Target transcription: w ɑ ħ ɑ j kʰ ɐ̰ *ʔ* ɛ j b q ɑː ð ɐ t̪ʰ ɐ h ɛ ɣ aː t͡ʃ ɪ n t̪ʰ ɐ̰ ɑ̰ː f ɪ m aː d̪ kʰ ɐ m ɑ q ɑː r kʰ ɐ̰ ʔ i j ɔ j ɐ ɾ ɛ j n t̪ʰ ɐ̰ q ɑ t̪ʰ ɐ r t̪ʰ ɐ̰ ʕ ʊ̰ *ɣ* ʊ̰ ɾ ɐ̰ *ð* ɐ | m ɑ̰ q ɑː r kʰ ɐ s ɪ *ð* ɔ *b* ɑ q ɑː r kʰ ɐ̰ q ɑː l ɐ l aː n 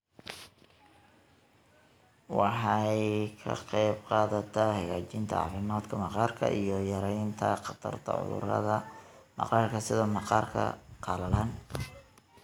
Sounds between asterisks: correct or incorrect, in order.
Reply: incorrect: q, incorrect: ð, correct, correct, incorrect: m

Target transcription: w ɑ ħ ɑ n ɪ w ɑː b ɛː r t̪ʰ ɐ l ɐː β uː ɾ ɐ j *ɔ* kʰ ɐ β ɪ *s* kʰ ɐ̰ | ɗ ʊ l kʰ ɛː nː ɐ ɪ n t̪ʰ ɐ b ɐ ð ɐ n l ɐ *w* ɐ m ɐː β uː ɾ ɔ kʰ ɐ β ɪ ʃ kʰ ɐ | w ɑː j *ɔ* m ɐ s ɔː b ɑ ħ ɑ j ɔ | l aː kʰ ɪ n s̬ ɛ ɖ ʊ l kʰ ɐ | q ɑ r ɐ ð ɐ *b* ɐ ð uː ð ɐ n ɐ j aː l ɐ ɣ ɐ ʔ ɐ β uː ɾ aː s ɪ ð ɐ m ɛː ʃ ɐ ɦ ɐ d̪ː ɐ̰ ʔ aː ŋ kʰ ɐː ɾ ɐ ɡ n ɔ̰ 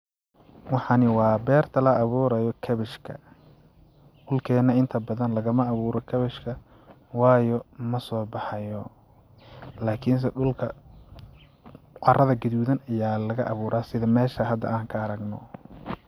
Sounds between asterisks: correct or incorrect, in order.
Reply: correct, incorrect: ʃ, incorrect: ɣ, correct, incorrect: ɡ

